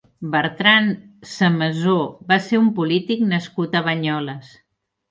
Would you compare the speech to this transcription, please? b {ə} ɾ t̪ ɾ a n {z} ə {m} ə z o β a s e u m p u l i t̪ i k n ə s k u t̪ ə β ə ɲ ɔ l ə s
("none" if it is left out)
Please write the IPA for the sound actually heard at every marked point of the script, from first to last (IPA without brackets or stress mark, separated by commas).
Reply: ə, s, m